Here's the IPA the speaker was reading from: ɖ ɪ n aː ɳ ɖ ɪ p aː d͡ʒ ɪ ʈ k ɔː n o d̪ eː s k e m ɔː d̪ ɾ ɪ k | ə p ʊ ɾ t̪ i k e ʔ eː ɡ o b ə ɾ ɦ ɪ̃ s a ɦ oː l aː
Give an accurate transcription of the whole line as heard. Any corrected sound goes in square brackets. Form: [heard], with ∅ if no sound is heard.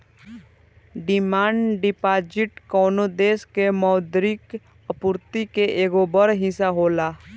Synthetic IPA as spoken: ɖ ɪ [m] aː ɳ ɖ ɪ p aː d͡ʒ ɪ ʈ k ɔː n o d̪ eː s k e m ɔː d̪ ɾ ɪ k | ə p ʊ ɾ t̪ i k e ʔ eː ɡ o b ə ɾ ɦ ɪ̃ s a ɦ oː l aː